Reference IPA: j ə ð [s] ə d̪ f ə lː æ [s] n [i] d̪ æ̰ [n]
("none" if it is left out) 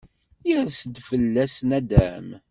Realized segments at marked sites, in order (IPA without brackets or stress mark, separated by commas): s, s, æ, m